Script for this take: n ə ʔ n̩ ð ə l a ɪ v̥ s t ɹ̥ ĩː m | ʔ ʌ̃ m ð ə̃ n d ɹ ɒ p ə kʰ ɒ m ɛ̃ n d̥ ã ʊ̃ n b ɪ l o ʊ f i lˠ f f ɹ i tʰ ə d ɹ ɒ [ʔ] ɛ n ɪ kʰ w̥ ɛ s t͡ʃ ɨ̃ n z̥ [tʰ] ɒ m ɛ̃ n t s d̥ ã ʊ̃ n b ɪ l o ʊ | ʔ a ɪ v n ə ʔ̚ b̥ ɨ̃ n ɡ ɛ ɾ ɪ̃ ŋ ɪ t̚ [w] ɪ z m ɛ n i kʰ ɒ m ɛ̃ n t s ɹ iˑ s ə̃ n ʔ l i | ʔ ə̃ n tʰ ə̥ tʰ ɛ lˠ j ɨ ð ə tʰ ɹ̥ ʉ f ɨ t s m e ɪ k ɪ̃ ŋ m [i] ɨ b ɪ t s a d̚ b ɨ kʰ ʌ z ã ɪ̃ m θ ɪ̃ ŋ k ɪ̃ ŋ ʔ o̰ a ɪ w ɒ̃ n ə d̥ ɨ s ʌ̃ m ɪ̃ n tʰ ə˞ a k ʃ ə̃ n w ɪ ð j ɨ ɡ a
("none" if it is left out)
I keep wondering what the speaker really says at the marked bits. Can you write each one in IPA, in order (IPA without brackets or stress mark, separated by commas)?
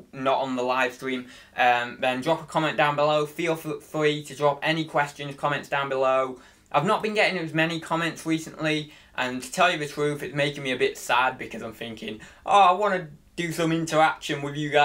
p, kʰ, w, i